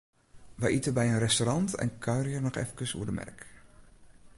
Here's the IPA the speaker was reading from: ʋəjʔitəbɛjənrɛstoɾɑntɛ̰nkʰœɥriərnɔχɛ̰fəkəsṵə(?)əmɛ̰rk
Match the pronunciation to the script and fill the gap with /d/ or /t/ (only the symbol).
d